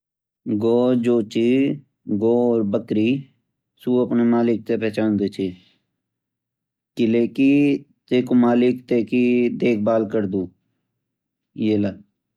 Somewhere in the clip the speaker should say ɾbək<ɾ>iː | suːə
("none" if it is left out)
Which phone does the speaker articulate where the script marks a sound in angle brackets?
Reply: ɾ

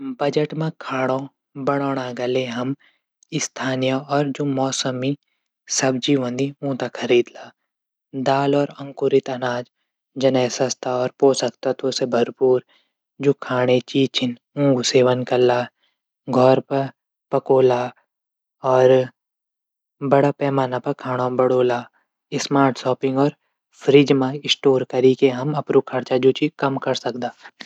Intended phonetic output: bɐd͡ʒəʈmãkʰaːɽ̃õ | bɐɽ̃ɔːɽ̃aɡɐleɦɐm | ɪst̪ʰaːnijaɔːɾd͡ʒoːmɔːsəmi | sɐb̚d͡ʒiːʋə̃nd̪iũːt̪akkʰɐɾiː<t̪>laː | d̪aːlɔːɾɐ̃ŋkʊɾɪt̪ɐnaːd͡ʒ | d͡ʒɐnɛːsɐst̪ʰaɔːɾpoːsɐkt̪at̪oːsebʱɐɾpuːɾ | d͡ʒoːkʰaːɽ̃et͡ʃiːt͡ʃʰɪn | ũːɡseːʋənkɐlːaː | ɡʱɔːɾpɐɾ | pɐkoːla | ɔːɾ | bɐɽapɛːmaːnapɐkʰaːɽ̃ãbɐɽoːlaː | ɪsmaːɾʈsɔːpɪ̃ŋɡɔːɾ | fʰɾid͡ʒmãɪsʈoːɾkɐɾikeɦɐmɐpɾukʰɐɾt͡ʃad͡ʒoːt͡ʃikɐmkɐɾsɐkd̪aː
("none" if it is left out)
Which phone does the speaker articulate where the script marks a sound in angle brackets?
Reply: d̪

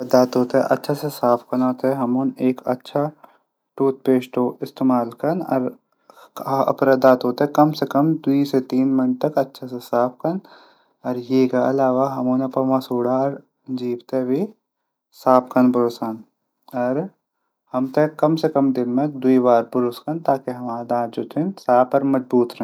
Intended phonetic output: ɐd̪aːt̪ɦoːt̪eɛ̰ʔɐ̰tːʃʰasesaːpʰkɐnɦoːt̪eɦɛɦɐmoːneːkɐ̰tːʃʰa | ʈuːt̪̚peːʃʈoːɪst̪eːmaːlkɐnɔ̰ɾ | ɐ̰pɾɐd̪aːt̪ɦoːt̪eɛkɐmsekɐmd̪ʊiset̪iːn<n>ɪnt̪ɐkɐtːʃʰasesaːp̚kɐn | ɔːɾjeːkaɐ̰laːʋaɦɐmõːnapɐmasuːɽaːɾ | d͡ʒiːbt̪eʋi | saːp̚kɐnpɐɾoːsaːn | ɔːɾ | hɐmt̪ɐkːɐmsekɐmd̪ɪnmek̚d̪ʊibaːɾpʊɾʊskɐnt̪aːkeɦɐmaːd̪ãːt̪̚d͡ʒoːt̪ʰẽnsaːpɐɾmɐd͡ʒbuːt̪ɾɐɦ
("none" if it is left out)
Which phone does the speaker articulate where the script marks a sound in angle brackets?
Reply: m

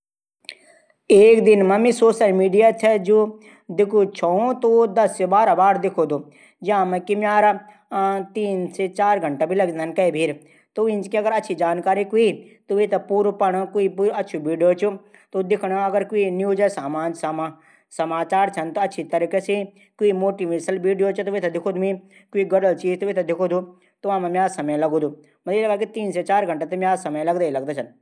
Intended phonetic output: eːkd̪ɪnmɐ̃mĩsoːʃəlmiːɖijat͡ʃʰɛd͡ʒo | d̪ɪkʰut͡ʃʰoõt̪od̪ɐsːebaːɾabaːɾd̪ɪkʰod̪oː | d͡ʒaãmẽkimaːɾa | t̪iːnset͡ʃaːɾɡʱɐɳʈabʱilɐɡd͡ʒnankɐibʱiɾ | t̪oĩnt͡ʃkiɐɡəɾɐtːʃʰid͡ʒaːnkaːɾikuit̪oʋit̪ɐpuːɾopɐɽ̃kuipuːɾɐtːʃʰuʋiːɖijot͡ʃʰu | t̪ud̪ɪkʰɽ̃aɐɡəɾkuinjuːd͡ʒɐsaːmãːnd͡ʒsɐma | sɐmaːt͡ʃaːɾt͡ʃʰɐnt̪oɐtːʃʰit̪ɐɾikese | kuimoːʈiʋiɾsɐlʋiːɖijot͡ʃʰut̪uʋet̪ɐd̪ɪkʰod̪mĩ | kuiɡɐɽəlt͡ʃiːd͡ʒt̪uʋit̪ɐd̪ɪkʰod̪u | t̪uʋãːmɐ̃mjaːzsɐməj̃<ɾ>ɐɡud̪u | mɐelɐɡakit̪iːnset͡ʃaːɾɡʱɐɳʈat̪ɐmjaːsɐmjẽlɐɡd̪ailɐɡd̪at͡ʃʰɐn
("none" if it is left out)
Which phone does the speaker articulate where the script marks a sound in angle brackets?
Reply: l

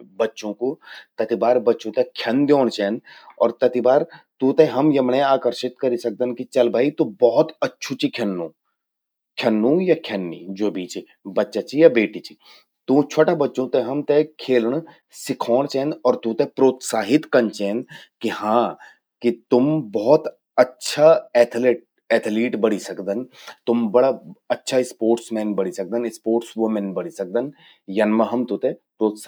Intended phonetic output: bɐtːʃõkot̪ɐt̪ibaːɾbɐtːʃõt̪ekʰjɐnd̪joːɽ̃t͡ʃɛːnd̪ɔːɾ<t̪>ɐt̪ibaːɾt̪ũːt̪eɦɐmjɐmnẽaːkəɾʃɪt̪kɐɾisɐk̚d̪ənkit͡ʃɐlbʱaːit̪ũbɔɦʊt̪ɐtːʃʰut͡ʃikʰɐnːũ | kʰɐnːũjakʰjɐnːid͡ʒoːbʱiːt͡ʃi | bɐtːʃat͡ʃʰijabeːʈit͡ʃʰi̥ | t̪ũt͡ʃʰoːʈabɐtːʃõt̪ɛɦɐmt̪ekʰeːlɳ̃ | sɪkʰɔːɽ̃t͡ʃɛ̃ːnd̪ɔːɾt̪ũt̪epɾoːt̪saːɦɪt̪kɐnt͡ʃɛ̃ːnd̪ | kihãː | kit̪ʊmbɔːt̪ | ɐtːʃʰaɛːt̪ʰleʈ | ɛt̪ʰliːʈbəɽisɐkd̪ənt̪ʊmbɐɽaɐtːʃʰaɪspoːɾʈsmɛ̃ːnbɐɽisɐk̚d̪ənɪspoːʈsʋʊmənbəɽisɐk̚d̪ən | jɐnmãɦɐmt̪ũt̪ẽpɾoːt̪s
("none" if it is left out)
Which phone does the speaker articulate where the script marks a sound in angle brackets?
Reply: t̪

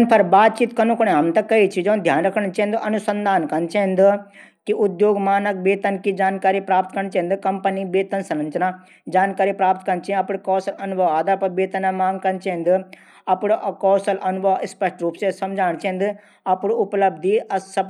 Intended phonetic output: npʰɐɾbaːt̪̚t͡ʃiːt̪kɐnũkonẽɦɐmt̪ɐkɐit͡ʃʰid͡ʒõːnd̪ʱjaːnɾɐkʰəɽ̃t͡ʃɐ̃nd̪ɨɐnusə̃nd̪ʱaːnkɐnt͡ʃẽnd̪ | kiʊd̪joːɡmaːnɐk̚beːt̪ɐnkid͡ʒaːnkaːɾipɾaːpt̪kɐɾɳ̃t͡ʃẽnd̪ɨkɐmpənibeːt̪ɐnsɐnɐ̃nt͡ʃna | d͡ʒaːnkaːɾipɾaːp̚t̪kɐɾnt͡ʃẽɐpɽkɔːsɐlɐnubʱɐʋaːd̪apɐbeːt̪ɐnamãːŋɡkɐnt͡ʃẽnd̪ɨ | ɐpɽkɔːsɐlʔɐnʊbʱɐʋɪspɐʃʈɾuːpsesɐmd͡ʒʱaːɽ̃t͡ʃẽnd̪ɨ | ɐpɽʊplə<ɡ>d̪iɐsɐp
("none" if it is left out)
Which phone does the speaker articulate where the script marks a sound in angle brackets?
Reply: b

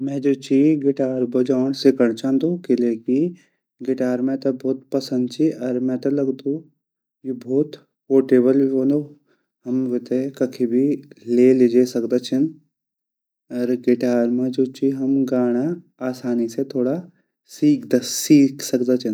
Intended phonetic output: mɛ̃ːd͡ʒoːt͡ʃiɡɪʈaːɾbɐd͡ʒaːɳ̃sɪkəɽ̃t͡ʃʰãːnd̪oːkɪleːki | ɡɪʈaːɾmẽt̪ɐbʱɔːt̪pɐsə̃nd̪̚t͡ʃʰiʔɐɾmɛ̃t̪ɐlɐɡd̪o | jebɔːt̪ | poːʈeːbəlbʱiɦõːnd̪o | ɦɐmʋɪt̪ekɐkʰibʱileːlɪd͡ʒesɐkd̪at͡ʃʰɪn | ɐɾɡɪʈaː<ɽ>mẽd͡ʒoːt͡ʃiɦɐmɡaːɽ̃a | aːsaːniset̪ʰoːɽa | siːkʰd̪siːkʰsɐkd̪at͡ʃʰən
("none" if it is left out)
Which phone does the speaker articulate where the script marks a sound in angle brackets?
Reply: ɾ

